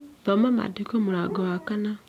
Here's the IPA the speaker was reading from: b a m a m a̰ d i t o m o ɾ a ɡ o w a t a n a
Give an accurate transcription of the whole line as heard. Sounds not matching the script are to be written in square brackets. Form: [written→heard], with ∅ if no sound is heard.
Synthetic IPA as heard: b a m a m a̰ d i [t→k] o m [o→u] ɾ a ɡ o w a [t→k] a n a